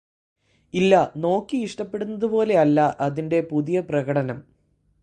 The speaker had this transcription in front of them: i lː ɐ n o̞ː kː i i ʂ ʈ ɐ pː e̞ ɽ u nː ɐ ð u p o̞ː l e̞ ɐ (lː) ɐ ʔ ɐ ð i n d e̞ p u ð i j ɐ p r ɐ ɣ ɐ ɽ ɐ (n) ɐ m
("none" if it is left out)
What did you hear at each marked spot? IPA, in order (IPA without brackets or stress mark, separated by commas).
lː, n